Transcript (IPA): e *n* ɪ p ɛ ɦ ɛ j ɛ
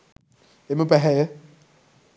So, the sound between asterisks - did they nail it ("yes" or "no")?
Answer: no